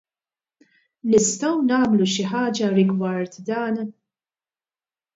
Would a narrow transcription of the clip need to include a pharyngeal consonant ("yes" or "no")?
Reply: yes